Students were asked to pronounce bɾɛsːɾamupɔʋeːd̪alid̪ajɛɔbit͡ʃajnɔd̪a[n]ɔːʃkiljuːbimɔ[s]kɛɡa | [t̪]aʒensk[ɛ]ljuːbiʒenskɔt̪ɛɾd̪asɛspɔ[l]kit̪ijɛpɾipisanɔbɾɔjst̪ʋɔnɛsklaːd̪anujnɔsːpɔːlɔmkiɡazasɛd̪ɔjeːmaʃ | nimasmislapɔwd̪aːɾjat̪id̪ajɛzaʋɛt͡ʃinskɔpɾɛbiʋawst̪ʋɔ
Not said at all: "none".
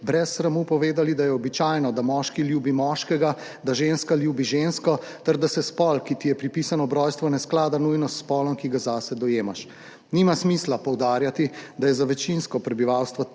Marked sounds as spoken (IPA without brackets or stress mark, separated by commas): m, ʃ, d̪, a, l